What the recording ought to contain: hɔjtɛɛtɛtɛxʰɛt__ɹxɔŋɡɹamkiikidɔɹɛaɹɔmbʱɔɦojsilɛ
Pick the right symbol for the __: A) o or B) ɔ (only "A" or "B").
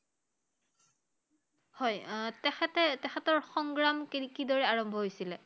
B